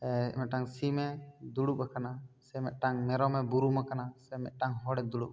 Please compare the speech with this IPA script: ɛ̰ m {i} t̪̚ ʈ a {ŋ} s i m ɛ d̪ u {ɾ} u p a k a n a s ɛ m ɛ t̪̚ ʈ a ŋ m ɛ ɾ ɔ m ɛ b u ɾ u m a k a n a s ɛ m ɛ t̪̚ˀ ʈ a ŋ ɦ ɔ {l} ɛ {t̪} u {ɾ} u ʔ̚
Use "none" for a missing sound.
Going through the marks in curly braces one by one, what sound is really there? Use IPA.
ɛ, ŋ, ɽ, ɽ, d̪, ɽ

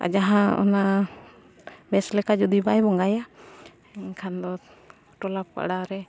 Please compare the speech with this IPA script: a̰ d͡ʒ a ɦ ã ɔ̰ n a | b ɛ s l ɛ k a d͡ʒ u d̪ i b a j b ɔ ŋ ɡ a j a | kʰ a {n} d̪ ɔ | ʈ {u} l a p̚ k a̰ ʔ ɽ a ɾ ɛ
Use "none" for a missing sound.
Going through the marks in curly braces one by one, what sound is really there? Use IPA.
n, ɔ

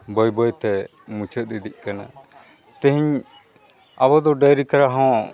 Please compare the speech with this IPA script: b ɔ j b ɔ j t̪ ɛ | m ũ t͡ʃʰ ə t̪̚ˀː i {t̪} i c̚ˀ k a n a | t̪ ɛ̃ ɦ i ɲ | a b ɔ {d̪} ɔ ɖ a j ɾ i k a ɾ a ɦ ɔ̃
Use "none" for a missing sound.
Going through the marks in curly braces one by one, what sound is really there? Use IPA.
d̪, d̪

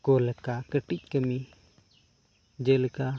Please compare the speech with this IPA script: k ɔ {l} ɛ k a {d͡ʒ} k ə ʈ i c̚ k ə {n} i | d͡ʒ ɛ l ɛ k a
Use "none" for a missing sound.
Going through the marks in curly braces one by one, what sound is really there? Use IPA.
l, none, m

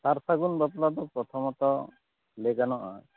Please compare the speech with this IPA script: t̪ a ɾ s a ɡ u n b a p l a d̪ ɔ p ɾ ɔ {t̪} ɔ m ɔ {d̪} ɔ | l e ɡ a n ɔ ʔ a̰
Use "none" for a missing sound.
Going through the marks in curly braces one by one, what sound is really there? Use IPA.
t̪ʰ, t̪

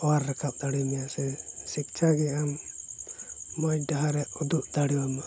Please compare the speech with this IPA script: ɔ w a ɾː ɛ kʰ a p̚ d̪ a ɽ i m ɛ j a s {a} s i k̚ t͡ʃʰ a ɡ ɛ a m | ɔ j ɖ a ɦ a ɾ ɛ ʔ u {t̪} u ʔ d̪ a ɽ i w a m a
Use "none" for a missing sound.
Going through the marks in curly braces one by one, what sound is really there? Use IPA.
ɛ, d̪

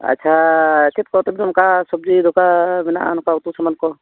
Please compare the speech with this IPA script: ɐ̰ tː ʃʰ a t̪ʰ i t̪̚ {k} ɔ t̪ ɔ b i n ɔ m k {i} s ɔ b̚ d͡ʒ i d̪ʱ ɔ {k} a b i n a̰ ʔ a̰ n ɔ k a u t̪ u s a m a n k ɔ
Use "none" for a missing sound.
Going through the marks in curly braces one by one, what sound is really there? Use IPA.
k, a, k

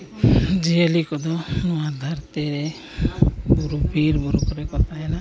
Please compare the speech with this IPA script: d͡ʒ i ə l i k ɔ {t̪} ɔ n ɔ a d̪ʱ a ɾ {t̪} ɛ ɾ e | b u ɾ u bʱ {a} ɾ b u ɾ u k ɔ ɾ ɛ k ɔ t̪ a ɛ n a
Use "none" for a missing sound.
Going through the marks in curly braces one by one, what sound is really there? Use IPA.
d̪, t̪, i

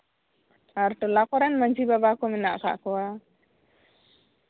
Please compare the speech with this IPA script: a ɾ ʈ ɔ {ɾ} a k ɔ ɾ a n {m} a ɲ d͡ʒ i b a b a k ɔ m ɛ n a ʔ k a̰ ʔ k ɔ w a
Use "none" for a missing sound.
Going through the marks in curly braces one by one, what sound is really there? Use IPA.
l, m

